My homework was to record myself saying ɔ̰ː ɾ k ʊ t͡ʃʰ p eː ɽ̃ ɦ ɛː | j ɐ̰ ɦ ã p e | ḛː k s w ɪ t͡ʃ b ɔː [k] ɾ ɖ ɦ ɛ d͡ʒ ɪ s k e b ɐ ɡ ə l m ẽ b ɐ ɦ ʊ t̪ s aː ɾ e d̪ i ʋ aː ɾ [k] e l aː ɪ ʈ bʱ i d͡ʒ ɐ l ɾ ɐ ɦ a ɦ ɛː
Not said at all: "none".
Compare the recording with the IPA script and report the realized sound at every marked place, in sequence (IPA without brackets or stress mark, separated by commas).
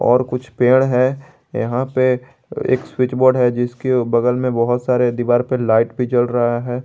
none, p